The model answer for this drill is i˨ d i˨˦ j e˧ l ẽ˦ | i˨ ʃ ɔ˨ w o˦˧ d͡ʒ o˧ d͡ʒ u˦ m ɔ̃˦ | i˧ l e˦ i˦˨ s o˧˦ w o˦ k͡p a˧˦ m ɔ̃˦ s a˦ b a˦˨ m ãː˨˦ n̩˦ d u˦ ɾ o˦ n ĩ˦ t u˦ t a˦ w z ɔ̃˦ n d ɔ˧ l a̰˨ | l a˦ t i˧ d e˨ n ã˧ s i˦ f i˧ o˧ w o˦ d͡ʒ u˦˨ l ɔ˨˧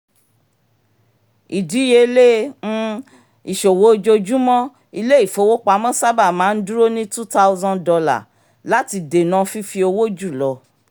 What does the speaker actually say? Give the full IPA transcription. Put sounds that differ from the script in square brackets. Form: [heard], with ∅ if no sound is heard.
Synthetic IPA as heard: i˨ d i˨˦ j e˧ l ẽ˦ | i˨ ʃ [o˨] w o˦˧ d͡ʒ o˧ d͡ʒ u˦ m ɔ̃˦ | i˧ l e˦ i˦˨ [f] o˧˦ w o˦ k͡p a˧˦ m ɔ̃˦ s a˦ b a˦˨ m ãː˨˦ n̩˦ d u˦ ɾ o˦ n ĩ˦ t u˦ t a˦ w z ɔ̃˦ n d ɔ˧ l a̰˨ | l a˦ t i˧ d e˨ n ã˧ [f] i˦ f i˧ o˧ w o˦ d͡ʒ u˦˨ l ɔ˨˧